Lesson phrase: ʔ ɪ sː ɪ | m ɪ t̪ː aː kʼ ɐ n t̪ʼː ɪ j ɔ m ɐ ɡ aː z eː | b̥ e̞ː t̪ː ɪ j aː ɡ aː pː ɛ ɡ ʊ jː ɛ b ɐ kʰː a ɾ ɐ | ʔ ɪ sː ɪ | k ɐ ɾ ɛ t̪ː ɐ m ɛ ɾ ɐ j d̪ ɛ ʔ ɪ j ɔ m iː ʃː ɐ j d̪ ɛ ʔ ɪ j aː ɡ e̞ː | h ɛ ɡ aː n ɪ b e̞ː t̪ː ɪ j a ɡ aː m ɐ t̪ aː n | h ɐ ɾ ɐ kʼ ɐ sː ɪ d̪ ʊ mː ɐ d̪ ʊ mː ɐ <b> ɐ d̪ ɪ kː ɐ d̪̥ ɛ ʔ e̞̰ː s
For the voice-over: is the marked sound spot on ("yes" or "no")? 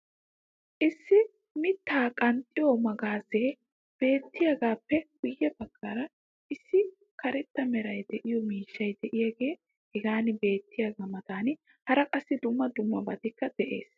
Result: yes